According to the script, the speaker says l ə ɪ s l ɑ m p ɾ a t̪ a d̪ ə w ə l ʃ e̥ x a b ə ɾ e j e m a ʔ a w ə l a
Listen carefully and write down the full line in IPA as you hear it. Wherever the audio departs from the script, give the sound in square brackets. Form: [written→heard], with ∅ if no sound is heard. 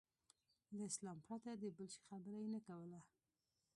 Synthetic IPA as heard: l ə ɪ s l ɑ m p ɾ a t̪ a d̪ ə [w→b] ə l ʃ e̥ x a b ə ɾ [e→a] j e [m→n] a [ʔ→k] a w ə l a